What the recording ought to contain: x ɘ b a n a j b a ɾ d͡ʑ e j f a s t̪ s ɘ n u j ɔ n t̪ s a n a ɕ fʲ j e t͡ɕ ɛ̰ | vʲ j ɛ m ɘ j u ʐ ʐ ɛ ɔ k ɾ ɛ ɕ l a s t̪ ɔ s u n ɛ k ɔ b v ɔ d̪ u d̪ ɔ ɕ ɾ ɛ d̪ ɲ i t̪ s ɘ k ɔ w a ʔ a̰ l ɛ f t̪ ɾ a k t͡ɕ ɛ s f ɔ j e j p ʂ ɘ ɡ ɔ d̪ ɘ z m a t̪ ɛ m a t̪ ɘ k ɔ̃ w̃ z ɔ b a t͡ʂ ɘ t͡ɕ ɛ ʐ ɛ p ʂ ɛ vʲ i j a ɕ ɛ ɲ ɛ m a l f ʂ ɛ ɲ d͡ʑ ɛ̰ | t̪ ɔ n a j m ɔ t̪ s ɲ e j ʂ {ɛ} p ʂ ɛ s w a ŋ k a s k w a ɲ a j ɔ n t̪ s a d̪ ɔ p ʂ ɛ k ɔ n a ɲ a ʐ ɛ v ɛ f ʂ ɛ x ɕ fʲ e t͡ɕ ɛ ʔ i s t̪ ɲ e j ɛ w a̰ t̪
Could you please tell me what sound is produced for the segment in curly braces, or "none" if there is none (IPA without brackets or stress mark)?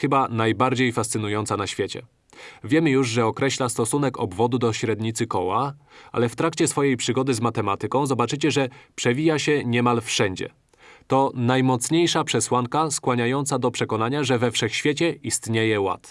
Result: a